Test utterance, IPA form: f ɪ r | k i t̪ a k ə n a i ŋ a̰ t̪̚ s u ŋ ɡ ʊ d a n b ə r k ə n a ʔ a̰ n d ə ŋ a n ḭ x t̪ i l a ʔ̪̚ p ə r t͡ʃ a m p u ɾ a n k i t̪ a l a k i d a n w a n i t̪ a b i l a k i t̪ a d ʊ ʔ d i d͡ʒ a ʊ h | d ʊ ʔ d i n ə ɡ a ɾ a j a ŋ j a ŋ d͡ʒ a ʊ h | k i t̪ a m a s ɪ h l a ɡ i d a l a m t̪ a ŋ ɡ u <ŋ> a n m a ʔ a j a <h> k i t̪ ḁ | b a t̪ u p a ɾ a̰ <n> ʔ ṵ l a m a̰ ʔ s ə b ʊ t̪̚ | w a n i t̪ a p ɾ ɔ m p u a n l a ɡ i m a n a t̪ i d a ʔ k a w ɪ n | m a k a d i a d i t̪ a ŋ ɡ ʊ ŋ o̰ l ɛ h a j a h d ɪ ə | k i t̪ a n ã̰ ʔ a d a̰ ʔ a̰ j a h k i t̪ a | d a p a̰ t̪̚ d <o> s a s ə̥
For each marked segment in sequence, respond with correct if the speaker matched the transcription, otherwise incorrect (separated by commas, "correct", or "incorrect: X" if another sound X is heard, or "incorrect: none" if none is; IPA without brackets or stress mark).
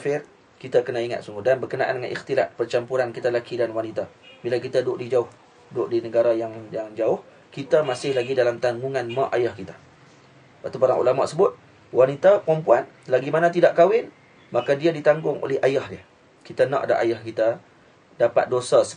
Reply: correct, correct, incorrect: ŋ, correct